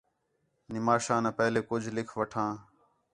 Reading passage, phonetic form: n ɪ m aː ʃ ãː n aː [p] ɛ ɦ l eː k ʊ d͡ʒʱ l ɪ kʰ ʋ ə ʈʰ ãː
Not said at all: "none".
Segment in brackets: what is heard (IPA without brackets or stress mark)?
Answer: p